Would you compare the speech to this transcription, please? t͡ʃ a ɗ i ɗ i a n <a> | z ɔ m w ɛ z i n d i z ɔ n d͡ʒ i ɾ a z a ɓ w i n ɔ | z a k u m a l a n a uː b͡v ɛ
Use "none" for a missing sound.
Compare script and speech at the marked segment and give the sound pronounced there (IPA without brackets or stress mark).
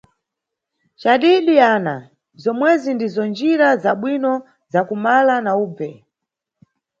a